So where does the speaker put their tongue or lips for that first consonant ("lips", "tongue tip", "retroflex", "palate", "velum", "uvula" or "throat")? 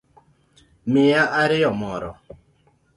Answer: lips